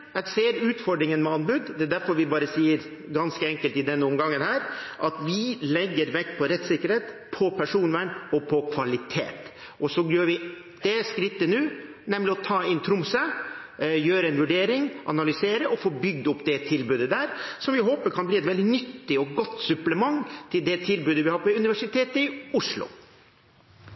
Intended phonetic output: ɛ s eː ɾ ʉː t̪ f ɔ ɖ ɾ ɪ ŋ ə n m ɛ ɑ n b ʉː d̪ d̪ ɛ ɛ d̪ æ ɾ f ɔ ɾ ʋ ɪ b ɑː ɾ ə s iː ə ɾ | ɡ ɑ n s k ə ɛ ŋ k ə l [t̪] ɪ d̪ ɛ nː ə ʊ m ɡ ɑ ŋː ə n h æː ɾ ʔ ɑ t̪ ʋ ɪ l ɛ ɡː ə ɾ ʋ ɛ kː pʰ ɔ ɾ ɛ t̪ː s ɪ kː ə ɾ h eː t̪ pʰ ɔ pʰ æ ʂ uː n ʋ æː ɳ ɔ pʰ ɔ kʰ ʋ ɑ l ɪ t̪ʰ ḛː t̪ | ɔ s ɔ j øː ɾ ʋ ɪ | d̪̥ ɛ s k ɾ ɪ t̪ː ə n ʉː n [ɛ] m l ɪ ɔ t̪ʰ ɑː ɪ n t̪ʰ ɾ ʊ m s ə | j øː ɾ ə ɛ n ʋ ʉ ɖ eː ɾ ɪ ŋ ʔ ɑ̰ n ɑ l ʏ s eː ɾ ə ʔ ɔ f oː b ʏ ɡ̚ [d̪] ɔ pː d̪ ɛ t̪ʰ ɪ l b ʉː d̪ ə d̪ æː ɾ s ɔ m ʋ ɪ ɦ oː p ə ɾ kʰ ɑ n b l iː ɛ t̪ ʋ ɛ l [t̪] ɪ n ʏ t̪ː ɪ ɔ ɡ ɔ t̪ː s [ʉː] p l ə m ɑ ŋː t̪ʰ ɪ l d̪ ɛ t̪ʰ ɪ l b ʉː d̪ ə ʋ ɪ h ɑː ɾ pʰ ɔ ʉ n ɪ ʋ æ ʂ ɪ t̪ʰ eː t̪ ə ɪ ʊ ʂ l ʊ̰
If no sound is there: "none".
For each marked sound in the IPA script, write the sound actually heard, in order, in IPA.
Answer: t̪, ɛ, d̪, d̪, ʉ

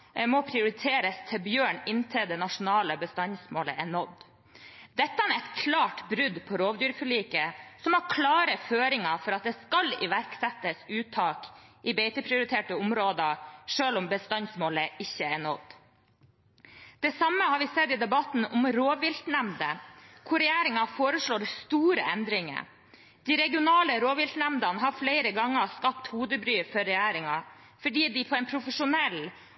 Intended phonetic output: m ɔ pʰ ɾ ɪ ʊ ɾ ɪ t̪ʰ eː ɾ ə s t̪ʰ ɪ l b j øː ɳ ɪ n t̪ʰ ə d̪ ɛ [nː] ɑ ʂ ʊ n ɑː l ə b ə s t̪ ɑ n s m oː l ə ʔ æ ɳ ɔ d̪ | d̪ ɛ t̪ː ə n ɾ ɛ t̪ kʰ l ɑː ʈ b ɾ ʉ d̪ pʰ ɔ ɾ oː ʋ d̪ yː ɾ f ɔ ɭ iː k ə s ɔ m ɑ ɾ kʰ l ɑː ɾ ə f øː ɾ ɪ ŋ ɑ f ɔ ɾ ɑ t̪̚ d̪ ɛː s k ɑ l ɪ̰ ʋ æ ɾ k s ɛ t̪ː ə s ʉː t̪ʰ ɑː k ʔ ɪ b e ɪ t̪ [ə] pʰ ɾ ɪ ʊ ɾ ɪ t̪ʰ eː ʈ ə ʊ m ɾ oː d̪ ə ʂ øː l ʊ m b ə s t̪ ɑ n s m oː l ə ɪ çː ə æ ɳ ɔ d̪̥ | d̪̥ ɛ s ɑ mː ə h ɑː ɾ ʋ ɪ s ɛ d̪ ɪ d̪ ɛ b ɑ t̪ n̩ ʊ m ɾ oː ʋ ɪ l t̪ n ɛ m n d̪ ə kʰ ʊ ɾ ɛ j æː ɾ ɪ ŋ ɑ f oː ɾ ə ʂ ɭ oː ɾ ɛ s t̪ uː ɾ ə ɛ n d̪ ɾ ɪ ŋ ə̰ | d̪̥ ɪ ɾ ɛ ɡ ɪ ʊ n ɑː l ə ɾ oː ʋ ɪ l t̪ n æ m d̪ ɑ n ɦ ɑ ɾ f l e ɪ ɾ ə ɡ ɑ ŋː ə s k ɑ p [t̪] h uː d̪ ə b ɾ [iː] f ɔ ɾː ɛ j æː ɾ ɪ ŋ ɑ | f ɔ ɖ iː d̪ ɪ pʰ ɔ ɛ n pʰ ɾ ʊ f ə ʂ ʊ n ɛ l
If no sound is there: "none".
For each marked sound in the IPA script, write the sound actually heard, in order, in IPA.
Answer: n, ə, t̪, yː

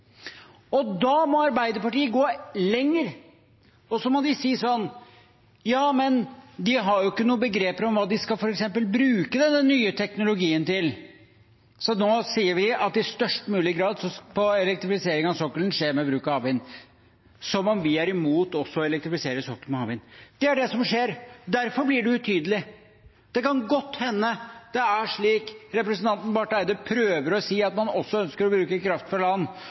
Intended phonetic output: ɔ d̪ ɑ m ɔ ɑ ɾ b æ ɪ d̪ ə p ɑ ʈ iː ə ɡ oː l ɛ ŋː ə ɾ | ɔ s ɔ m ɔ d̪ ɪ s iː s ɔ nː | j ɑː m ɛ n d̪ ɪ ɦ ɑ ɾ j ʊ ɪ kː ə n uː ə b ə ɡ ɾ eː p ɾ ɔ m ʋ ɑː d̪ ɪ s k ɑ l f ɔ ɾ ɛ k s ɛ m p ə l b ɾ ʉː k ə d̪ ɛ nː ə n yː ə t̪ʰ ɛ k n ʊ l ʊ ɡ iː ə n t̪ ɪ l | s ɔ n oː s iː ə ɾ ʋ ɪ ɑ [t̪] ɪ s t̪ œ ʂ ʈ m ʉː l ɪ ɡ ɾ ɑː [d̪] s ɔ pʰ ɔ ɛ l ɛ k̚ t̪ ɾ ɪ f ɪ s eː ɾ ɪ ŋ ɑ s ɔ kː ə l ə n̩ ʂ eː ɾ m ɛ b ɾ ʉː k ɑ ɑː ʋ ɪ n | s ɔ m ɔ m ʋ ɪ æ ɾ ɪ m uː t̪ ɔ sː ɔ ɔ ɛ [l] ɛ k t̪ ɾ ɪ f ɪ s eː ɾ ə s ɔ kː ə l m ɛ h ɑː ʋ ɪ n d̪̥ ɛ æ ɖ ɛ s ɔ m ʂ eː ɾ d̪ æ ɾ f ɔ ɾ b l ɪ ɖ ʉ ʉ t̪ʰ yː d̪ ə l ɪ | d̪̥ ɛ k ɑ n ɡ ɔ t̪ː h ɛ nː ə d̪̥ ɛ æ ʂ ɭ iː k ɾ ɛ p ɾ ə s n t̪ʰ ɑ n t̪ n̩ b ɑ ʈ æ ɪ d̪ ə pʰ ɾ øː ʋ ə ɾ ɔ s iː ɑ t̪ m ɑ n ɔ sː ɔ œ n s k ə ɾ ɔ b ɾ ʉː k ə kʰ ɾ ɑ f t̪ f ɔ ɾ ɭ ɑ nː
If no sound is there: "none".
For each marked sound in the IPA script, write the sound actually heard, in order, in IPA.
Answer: t̪, d̪, l

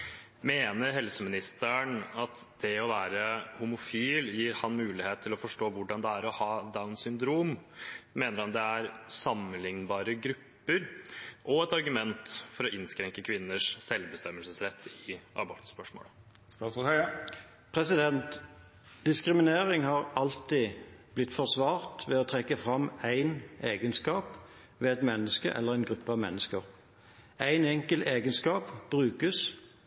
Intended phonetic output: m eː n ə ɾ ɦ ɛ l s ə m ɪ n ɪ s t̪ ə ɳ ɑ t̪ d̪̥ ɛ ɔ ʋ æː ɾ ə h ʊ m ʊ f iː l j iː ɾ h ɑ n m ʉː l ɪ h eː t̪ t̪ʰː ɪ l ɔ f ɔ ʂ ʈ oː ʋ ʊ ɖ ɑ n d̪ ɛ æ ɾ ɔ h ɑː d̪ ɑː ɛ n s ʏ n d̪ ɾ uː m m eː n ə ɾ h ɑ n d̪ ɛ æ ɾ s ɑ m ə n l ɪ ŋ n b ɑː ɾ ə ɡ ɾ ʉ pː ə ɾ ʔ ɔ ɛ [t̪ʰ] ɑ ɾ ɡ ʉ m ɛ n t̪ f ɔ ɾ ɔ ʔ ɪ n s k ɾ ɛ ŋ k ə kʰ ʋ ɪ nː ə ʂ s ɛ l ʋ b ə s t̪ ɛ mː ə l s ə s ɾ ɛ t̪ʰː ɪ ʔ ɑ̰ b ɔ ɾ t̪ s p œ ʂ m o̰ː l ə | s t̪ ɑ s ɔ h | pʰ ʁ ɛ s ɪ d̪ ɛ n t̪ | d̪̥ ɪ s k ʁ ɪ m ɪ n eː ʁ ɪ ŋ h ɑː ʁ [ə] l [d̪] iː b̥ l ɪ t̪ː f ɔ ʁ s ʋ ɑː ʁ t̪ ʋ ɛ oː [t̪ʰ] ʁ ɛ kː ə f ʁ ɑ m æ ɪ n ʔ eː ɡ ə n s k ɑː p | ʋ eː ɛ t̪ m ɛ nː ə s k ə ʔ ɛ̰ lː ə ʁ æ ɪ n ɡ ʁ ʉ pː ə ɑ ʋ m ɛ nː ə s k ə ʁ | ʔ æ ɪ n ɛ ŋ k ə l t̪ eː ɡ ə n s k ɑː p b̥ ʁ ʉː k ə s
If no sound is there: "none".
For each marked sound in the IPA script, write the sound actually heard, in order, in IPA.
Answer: t̪, ɑ, t̪, t̪ʰ

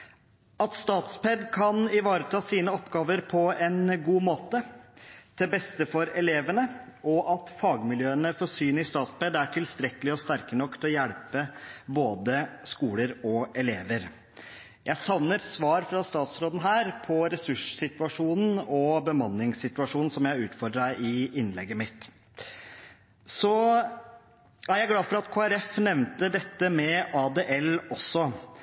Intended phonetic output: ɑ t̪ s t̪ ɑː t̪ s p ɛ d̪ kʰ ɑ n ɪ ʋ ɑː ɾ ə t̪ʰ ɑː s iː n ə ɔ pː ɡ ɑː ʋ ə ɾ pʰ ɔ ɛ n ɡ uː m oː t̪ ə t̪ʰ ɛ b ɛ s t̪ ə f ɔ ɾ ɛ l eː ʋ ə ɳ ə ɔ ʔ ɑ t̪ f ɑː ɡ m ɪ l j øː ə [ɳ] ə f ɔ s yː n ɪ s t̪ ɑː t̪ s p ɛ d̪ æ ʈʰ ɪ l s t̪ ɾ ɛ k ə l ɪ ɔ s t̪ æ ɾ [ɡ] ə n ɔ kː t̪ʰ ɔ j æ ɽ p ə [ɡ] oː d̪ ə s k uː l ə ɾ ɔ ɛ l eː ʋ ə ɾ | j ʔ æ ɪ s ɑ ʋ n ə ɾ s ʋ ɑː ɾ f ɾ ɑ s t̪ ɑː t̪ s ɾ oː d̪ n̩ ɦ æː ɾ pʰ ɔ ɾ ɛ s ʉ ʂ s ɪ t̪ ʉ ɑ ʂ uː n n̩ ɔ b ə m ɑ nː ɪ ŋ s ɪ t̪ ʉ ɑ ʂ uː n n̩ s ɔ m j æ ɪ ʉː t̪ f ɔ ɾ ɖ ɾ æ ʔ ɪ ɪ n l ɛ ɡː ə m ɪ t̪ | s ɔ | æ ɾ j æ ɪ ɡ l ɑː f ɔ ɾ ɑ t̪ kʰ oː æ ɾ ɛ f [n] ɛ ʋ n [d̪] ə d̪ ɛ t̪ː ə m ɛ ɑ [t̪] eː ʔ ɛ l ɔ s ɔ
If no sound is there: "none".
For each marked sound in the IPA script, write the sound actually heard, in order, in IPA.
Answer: n, k, b, n, t̪, d̪

